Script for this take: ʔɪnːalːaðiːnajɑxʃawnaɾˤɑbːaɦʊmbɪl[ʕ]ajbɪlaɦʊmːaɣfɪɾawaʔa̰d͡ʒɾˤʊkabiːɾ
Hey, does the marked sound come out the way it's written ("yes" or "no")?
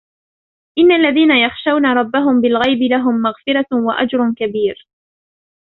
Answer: no